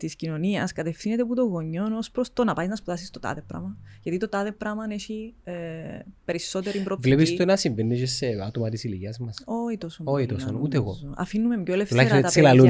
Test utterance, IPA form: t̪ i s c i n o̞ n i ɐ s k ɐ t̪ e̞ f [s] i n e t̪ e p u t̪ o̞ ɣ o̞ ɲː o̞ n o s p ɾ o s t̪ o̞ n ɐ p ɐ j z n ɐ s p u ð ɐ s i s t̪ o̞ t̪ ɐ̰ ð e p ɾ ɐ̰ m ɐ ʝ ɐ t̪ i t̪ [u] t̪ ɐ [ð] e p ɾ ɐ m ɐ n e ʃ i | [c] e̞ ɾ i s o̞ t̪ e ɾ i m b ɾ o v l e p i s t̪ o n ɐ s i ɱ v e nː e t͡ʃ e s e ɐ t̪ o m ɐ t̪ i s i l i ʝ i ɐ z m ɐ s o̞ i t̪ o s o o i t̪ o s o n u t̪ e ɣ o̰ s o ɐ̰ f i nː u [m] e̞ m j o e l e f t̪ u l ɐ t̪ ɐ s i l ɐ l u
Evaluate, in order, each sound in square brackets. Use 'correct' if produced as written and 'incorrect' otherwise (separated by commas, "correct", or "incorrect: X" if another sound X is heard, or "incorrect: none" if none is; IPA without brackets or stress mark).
incorrect: θ, incorrect: o, correct, incorrect: p, correct